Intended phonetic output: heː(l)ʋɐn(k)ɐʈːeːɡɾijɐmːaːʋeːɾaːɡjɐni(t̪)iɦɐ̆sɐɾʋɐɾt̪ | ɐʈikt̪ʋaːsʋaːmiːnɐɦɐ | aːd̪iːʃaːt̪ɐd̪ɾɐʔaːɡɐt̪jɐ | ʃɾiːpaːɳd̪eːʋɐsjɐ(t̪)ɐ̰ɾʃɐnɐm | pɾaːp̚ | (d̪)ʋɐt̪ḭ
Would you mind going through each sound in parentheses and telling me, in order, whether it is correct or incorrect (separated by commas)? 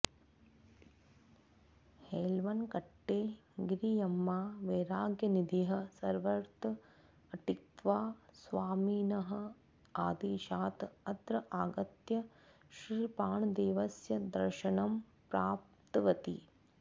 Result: correct, correct, incorrect, incorrect, incorrect